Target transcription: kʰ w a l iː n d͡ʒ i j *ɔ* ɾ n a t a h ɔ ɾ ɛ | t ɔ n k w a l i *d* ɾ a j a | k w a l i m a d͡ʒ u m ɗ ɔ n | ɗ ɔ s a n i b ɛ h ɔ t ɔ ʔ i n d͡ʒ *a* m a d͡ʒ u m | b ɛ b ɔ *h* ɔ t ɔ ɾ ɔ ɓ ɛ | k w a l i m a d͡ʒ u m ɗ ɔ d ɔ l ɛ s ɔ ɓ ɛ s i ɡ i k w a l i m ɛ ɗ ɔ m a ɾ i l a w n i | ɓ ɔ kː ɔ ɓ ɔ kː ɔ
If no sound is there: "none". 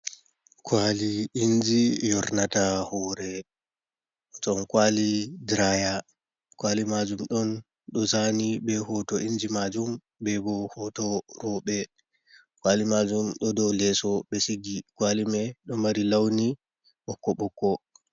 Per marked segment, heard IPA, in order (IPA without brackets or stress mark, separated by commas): ɔ, d, i, h